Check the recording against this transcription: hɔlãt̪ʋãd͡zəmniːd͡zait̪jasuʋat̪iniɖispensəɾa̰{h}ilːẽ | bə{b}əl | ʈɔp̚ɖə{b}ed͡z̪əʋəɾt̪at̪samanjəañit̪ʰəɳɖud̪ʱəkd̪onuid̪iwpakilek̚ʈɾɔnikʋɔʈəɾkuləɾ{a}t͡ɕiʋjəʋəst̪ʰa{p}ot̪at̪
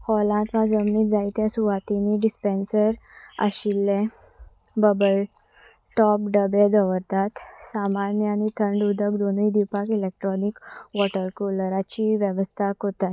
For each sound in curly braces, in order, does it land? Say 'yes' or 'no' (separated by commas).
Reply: no, yes, yes, yes, no